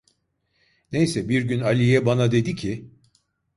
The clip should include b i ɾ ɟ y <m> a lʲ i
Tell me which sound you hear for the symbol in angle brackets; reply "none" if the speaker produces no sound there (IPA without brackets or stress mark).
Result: n